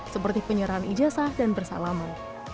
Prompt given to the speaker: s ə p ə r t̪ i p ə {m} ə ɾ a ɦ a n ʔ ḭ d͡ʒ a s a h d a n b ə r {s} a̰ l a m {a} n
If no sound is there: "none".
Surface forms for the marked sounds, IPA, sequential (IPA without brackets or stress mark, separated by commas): ɲ, s, a